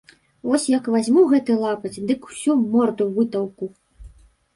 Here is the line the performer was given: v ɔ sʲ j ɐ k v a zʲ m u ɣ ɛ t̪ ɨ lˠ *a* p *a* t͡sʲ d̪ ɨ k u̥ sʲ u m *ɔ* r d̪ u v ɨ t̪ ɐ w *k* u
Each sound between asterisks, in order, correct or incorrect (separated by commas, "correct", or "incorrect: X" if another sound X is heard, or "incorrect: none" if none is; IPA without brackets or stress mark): correct, incorrect: ɐ, correct, correct